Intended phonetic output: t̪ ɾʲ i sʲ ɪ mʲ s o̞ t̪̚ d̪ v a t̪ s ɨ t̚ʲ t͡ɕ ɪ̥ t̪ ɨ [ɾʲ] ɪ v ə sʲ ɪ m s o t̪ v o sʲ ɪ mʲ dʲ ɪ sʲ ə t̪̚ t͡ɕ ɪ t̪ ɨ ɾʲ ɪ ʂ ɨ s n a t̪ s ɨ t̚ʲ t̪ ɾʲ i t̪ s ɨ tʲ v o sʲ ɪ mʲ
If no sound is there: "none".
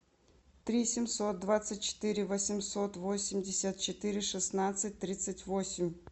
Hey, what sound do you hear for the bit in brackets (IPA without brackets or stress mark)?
ɾʲ